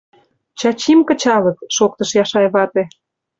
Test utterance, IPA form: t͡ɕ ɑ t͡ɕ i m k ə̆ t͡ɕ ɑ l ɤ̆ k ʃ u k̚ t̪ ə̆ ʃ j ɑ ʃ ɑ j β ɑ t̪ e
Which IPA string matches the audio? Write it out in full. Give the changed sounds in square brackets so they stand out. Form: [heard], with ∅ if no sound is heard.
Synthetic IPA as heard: t͡ɕ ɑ t͡ɕ i m k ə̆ t͡ɕ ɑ l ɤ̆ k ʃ [o] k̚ t̪ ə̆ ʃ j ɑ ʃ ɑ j β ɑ t̪ e